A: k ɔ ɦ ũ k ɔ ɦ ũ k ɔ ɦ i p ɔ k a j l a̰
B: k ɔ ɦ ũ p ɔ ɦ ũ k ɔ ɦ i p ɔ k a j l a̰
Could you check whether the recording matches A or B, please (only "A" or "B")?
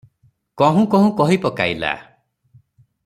A